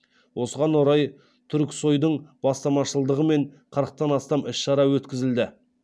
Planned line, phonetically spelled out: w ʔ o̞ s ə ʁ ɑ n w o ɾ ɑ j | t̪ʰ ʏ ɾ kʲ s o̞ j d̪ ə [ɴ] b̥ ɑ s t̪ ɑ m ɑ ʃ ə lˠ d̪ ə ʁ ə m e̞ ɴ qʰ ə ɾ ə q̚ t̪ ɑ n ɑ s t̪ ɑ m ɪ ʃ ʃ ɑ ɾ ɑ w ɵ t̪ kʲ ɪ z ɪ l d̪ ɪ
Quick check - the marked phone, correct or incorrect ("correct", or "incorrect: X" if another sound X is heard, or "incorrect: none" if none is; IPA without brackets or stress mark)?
correct